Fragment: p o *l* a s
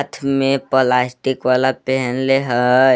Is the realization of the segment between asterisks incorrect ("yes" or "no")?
no